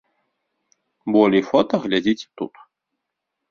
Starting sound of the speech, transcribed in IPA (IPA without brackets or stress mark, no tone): b